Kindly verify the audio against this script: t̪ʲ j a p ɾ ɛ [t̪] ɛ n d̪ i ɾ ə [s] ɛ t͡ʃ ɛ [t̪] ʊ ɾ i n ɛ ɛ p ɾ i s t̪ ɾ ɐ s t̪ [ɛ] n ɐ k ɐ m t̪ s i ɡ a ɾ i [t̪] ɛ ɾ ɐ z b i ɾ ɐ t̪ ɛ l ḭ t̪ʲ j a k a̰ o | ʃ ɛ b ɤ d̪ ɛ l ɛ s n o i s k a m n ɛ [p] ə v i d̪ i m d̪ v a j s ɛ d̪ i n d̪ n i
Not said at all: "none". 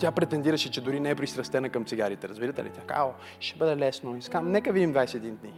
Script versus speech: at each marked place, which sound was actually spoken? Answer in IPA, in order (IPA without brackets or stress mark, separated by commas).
t̪, ʃ, d̪, ɛ, t̪, k